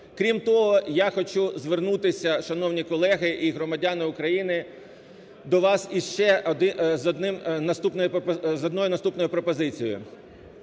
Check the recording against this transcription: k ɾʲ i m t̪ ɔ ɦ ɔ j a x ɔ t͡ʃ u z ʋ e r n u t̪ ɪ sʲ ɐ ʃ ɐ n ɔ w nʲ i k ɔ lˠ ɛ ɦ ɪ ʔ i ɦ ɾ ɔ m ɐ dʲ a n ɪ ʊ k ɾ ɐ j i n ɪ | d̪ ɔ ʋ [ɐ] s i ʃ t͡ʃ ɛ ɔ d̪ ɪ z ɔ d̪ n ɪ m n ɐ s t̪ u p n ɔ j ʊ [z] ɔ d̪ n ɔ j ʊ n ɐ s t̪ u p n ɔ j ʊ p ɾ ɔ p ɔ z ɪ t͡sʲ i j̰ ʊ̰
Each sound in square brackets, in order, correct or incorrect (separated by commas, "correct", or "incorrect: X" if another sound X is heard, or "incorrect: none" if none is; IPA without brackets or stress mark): incorrect: ɑ, correct